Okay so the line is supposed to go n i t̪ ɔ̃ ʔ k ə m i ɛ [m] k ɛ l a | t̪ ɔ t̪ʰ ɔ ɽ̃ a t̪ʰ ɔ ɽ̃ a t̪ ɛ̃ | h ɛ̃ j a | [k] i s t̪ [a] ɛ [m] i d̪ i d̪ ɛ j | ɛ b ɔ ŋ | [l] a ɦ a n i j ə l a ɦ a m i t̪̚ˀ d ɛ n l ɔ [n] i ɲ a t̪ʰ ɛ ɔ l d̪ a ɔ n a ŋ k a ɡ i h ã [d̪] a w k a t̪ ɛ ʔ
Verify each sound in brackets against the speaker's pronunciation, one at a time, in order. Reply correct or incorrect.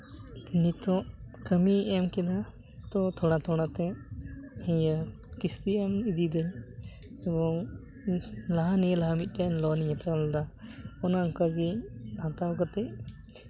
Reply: correct, correct, incorrect, correct, correct, correct, incorrect

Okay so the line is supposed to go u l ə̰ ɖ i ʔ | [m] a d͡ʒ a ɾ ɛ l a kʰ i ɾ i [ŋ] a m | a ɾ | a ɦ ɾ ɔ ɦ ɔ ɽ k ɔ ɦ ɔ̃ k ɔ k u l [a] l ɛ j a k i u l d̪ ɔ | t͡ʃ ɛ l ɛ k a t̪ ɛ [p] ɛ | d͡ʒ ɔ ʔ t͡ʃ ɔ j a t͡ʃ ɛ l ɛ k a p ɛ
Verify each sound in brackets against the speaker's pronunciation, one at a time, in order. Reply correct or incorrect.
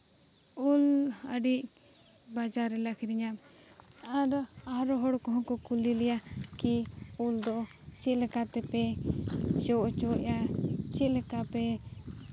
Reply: incorrect, incorrect, incorrect, correct

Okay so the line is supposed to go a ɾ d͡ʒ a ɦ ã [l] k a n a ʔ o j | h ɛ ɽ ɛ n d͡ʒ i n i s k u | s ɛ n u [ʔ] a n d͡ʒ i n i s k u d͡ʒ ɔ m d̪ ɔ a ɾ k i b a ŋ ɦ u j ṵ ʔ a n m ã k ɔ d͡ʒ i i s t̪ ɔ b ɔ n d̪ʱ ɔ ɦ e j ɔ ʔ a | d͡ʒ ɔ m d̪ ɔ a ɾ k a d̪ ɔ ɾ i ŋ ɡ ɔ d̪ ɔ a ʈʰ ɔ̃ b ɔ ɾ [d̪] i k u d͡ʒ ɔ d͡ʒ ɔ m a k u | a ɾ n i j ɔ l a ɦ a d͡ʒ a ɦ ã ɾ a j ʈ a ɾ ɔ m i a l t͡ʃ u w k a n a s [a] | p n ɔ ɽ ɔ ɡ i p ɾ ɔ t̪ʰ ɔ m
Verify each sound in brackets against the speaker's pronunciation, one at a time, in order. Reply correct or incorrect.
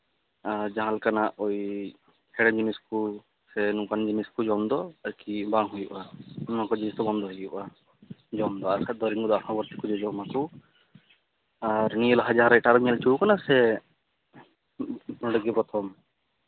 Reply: correct, incorrect, incorrect, incorrect

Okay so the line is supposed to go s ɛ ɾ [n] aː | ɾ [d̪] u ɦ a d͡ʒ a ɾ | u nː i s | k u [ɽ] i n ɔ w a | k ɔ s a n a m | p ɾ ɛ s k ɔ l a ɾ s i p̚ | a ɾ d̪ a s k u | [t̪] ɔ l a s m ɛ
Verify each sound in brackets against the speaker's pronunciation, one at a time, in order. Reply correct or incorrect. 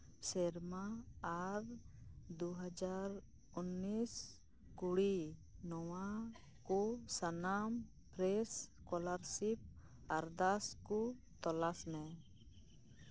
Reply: incorrect, correct, correct, correct

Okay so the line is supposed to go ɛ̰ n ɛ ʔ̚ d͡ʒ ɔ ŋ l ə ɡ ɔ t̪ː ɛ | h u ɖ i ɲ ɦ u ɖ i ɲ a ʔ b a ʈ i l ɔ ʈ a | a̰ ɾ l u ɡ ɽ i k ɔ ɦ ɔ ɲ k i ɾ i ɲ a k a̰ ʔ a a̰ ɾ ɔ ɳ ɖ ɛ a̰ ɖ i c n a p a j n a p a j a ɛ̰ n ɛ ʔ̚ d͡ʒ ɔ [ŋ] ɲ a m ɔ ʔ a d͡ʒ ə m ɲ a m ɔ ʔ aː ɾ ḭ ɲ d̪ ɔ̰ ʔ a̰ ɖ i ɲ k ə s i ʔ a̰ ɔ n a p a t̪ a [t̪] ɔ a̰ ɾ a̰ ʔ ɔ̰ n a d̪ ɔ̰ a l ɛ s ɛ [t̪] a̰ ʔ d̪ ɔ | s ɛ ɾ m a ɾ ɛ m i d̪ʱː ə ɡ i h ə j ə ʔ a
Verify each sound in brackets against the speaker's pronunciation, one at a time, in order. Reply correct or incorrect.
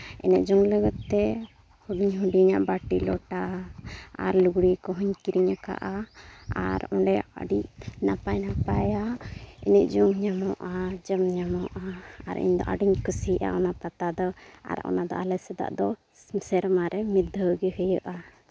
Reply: correct, incorrect, incorrect

